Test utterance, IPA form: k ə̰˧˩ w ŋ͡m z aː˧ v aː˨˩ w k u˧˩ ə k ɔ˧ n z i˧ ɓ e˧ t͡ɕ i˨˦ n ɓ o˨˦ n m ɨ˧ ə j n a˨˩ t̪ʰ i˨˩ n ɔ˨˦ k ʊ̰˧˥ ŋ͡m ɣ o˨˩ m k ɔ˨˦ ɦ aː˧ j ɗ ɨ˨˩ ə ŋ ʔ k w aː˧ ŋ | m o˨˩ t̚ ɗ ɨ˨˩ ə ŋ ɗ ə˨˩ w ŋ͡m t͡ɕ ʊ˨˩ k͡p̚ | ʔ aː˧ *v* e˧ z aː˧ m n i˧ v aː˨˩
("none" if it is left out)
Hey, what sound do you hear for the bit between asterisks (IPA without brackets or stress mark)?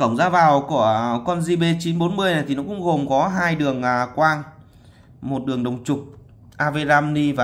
v